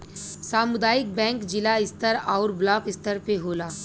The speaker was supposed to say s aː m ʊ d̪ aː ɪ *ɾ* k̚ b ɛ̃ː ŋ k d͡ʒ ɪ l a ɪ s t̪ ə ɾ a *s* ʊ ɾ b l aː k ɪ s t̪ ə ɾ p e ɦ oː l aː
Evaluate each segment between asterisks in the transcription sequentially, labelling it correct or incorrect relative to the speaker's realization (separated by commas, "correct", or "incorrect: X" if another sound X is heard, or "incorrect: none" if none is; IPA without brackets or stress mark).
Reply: incorrect: none, incorrect: none